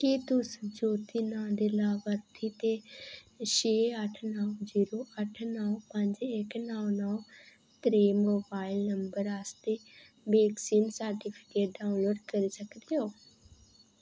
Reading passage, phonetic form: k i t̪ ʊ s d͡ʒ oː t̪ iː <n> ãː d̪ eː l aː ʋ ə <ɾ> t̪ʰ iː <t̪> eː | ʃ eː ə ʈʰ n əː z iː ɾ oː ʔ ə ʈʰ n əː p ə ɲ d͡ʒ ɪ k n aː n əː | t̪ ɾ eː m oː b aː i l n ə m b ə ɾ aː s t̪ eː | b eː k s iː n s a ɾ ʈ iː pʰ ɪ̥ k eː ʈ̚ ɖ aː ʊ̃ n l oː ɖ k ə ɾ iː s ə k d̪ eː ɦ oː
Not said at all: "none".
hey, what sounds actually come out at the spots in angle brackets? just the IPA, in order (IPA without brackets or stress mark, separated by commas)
n, ɾ, t̪